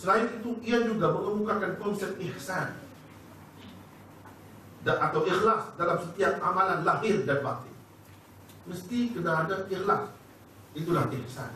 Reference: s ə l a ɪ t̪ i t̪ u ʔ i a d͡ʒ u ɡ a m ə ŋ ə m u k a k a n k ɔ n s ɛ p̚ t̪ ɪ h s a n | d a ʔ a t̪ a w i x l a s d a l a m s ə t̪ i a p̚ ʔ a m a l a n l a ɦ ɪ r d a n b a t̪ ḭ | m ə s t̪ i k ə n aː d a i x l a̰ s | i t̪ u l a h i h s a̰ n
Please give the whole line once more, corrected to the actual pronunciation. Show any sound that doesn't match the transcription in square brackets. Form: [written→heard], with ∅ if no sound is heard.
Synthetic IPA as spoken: s ə l a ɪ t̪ i t̪ u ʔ i a d͡ʒ u ɡ a m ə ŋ ə m u k a k a n k ɔ n s ɛ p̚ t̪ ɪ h s a n | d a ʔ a t̪ a w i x l a s d a l a m s ə t̪ i a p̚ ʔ a m a l a n l a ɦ ɪ r d a n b a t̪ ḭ | m ə s t̪ i k ə n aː d a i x l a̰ s | i t̪ u l a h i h s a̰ n